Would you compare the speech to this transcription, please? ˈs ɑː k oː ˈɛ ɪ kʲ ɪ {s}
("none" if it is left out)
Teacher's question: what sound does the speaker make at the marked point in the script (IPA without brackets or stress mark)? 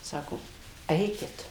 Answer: t